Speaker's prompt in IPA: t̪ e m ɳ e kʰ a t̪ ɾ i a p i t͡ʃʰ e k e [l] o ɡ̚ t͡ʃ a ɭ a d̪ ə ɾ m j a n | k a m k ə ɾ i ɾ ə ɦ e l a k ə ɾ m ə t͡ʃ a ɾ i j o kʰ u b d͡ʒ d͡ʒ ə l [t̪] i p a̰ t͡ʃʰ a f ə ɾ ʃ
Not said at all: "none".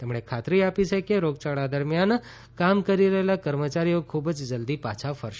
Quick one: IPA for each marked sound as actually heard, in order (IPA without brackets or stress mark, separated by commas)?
ɾ, d̪